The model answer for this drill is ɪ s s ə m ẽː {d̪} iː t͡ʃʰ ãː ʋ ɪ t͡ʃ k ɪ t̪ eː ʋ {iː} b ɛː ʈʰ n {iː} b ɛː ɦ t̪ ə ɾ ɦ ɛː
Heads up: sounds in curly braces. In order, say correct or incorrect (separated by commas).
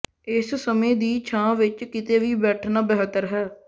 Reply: correct, correct, incorrect